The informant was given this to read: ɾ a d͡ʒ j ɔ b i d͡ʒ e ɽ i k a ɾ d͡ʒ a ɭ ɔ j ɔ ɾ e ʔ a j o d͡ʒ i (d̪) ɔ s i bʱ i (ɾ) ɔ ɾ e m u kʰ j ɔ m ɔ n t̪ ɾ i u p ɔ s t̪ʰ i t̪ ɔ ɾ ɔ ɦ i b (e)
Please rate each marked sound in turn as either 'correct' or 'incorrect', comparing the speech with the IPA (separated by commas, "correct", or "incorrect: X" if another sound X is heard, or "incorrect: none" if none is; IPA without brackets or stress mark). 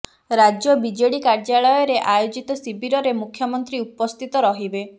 incorrect: t̪, correct, correct